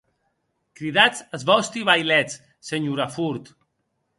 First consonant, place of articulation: velar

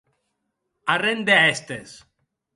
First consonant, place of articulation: alveolar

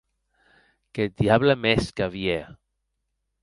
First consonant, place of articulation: velar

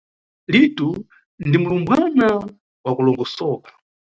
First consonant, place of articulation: alveolar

